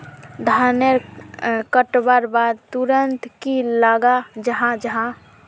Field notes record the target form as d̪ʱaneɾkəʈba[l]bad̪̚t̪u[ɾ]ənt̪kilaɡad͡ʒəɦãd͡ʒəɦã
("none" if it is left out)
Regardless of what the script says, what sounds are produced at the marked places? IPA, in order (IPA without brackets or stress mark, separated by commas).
ɾ, ɾ